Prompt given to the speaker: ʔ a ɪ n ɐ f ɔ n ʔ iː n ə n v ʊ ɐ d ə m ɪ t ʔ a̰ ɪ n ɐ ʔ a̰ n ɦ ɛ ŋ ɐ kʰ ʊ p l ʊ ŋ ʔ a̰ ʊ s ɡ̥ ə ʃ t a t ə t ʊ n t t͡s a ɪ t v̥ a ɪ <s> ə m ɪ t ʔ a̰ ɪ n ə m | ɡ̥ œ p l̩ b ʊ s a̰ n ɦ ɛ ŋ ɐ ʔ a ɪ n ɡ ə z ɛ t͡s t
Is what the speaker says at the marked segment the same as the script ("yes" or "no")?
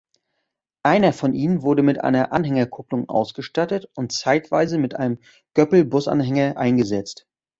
no